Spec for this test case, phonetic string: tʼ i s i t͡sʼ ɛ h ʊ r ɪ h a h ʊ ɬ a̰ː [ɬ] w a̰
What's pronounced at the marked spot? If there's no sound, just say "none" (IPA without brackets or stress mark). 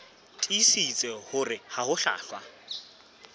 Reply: ɬ